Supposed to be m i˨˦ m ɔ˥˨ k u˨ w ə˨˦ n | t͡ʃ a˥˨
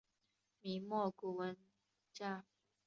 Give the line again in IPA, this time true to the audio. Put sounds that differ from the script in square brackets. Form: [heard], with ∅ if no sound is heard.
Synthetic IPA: m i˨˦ m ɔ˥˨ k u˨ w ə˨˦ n | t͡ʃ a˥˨